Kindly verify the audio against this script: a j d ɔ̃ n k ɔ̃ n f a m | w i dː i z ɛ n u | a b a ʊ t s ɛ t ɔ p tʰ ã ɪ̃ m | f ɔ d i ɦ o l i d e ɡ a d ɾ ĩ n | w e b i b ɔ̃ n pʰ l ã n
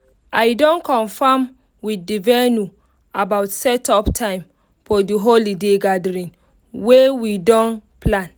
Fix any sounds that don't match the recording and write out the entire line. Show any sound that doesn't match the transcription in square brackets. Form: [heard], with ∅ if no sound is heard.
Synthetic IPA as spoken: a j d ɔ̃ n k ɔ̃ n f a m | w i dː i [v] ɛ n u | a b a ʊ t s ɛ t ɔ p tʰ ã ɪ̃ m | f ɔ d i ɦ o l i d e ɡ a d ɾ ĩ n | w e [w] i [d] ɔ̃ n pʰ l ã n